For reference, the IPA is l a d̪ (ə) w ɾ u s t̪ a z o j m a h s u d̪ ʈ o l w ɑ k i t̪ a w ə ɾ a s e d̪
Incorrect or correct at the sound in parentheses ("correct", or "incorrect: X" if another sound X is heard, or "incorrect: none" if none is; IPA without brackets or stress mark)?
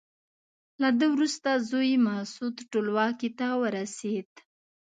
correct